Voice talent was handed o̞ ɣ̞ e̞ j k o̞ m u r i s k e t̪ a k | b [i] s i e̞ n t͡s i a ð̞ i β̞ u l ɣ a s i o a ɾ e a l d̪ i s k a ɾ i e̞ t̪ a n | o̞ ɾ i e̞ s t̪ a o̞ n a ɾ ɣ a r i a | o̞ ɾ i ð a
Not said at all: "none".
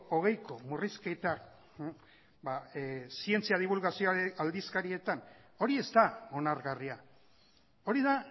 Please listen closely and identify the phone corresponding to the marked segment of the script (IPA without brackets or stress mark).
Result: a